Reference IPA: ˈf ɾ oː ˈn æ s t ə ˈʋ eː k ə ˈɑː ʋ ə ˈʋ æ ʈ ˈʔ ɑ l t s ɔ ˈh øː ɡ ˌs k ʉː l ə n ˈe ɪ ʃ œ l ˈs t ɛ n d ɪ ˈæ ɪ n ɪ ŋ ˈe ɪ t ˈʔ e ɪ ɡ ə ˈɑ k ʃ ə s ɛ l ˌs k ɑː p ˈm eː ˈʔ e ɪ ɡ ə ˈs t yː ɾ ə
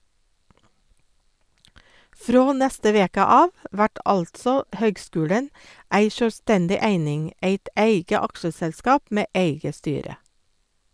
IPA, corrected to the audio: ˈf ɾ oː ˈn æ s t ə ˈʋ eː k ə ˈɑː ʋ ə ˈʋ æ ʈ ˈʔ ɑ l t s ɔ ˈh øː ɡ ˌs k ʉː ɽ ə n ˈæ ɪ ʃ œ l ˈs t ɛ n d ɪ ˈæ ɪ n ɪ ŋ ˈe ɪ t ˈʔ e ɪ ɡ ə ˈɑ k ʃ ə s ɛ l ˌs k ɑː p ˈm eː ˈʔ e ɪ ɡ ə ˈs t yː ɾ ə